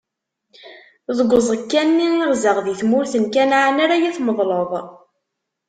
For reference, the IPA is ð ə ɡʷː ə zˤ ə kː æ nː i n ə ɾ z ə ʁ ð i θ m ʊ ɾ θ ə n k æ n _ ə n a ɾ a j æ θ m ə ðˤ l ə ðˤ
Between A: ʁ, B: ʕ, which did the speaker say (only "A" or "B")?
B